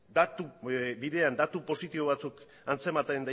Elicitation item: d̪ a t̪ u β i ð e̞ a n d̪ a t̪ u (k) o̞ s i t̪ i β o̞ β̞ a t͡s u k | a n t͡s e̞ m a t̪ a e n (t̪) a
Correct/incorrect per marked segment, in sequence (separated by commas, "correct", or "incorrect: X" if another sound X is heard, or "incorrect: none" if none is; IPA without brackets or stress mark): incorrect: p, incorrect: d̪